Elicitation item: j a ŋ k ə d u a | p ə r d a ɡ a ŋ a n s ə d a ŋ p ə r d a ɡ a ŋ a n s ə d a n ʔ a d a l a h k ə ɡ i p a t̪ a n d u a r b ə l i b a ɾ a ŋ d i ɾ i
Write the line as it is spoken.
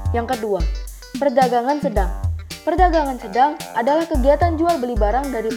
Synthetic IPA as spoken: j a ŋ k ə d u a | p ə r d a ɡ a ŋ a n s ə d a ŋ p ə r d a ɡ a ŋ a n s ə d a ŋ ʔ a d a l a h k ə ɡ i a t̪ a n d͡ʒ u a l b ə l i b a ɾ a ŋ d a ɾ i